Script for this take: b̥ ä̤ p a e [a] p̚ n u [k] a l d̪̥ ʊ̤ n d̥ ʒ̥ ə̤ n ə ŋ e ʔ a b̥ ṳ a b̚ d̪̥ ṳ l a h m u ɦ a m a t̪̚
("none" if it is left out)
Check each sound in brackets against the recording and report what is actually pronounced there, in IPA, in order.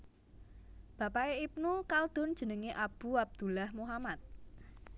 i, k

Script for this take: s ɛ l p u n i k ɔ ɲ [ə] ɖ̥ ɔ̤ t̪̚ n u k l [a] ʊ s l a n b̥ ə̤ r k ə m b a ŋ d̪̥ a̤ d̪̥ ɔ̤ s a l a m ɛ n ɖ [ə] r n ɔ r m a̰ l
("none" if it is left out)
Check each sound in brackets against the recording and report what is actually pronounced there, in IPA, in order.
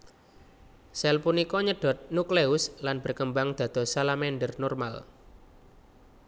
ə, e, ə

